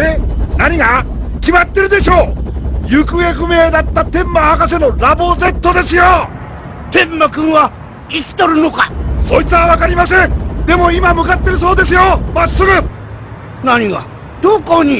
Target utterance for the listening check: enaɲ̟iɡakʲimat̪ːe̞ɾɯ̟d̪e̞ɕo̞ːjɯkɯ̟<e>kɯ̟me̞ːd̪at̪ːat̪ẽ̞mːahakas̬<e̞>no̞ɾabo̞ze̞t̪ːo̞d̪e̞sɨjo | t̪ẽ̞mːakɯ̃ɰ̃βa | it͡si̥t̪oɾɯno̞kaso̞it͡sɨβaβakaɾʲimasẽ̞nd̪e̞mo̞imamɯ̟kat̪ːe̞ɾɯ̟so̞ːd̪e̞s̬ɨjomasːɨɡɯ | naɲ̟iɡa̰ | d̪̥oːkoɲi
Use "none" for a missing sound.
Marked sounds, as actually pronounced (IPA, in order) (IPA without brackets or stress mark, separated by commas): e, e̞